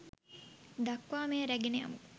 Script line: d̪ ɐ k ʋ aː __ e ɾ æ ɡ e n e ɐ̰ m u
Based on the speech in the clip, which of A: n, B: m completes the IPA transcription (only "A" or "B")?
B